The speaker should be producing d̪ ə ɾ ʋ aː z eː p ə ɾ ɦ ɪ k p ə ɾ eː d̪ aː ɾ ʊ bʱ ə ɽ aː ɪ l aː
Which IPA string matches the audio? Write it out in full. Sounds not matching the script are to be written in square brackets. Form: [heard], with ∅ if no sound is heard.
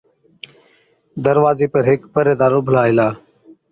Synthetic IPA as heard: d̪ ə ɾ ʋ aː z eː p ə ɾ ɦ ɪ k p ə ɾ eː d̪ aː ɾ ʊ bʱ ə [l] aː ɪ l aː